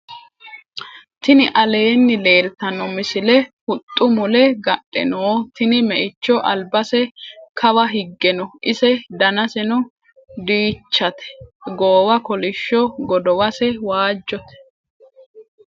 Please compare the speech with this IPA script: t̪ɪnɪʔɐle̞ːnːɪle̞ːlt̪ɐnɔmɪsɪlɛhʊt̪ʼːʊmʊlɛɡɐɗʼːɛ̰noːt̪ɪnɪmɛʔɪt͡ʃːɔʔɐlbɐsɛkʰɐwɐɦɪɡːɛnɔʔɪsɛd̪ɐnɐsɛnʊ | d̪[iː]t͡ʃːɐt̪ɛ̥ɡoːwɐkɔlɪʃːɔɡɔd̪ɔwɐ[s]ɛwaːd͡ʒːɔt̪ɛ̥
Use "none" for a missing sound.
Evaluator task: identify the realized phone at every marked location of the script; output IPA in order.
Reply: iː, s

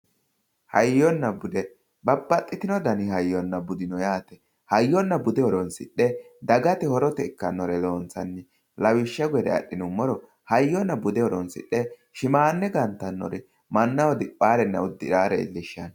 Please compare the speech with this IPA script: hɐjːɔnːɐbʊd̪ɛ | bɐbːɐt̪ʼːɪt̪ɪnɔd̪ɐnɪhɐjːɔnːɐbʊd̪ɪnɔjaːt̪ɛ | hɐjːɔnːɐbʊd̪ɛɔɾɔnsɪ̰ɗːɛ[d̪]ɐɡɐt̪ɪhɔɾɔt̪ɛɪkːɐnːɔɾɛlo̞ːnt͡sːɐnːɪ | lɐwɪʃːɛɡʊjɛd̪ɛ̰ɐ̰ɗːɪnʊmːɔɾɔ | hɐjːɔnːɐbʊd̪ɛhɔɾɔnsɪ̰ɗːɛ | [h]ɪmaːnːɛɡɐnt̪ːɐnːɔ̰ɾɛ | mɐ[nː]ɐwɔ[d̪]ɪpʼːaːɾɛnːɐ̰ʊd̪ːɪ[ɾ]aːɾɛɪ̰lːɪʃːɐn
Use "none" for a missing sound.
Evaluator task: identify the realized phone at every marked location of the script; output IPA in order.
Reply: d̪, ʃ, nː, d̪, ɾ

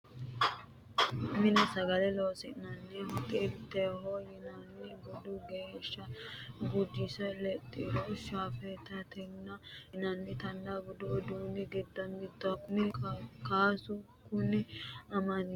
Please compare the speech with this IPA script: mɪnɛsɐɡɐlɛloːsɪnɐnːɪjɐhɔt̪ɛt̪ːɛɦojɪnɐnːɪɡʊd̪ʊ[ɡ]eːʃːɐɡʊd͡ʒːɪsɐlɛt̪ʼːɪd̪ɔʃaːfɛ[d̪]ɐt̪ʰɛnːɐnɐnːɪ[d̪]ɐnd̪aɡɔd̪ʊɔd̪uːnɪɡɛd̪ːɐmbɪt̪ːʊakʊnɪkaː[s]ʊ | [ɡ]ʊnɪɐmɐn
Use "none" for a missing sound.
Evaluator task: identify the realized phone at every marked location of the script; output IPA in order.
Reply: ɡ, t̪, t̪, s, k

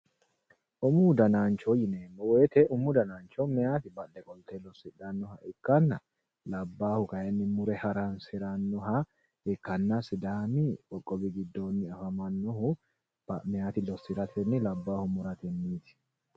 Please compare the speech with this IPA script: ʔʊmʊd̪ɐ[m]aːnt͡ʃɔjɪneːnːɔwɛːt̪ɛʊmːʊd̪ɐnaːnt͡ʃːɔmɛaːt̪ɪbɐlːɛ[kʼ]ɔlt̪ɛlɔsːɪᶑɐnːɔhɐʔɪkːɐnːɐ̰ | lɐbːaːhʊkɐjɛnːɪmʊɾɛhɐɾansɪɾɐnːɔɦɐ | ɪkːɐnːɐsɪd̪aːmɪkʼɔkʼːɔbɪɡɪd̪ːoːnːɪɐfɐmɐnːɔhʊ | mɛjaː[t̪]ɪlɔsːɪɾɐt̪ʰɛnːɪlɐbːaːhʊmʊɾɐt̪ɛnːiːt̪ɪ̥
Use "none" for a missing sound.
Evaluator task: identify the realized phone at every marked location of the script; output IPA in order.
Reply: n, kʼ, t̪

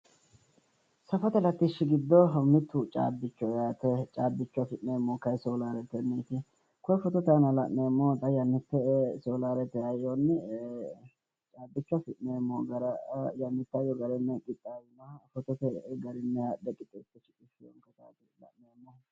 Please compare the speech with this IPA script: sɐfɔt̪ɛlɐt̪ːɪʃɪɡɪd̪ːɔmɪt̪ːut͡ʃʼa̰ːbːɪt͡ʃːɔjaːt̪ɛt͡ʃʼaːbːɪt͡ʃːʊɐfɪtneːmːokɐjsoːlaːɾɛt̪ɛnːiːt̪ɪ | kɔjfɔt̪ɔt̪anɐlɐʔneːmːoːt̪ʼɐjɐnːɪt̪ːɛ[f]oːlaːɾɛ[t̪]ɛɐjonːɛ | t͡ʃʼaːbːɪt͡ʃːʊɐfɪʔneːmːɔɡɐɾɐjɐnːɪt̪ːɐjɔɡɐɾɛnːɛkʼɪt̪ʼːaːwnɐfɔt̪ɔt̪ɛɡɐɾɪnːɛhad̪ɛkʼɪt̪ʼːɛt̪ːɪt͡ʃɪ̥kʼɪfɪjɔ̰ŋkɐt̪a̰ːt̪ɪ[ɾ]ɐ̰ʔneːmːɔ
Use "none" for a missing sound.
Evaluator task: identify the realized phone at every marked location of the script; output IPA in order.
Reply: s, t̪, l

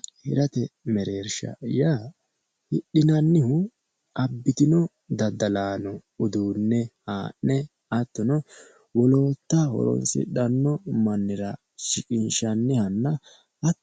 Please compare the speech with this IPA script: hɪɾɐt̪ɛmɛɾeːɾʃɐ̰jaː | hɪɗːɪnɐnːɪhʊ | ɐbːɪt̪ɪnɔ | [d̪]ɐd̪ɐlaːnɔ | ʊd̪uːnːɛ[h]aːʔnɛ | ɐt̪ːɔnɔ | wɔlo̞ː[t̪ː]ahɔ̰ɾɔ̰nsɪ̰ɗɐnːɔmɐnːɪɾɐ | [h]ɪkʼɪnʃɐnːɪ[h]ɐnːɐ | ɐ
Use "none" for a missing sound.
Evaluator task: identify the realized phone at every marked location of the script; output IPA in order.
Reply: d̪, h, t̪ː, ʃ, h

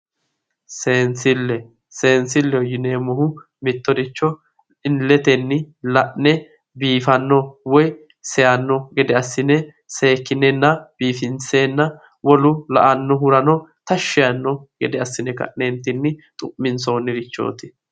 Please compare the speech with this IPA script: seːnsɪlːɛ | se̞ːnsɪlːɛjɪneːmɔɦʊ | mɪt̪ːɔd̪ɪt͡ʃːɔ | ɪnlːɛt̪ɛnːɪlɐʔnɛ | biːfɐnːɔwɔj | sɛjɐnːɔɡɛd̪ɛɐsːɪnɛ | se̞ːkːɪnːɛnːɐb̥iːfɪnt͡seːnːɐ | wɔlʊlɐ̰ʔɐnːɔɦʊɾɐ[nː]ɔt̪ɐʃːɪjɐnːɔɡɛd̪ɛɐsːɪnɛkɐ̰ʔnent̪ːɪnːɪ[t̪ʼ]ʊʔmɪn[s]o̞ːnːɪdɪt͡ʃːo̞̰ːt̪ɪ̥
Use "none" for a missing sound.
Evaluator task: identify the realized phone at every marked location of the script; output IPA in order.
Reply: n, t̪ʼ, s

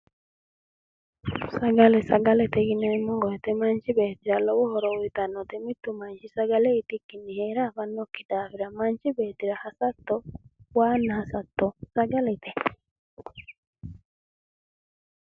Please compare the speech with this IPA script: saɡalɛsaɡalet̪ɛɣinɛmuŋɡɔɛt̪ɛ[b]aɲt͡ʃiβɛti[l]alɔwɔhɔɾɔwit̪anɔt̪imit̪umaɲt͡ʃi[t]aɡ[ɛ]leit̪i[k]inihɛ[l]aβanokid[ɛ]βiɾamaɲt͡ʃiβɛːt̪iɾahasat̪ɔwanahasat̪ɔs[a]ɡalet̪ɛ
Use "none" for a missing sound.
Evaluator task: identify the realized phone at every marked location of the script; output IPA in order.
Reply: m, ɾ, s, a, k, ɾ, a, a

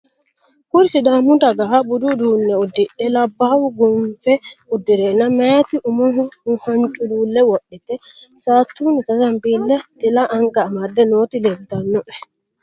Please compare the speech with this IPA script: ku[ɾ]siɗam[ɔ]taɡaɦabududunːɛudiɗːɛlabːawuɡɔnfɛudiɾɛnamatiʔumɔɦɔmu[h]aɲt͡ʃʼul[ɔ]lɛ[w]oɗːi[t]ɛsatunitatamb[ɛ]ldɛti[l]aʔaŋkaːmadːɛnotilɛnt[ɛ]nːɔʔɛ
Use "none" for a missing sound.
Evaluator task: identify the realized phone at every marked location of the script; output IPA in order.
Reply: ɾ, u, h, u, w, t, i, l, a

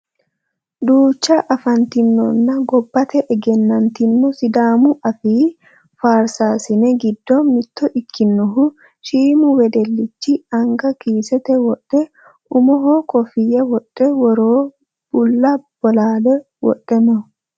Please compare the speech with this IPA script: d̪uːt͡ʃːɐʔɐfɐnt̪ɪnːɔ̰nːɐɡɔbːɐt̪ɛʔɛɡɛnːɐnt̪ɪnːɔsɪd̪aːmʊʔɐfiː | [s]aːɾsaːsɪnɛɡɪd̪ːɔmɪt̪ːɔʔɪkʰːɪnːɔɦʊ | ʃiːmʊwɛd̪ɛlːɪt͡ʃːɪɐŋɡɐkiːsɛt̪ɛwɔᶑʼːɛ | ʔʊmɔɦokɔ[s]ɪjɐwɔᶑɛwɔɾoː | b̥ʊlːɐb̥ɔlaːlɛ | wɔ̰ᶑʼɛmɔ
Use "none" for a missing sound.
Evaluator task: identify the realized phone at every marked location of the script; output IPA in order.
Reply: f, f

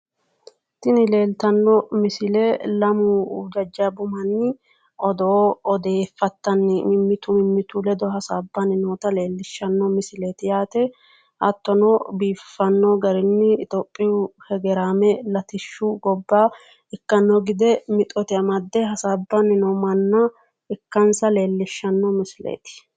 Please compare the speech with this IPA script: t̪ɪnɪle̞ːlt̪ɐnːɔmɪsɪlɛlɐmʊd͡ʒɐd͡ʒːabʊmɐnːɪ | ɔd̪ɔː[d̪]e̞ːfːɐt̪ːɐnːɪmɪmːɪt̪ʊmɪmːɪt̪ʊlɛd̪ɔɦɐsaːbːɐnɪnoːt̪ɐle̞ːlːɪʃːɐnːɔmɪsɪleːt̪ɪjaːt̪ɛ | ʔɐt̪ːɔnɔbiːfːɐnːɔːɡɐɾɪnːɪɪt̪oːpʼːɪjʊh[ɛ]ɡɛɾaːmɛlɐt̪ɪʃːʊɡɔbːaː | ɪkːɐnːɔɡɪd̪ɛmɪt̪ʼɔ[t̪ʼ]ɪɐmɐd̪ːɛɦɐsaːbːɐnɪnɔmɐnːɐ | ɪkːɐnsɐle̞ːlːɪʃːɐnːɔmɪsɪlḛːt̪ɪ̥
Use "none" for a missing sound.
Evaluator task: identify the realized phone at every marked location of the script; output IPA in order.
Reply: d̪, ɛ, t̪

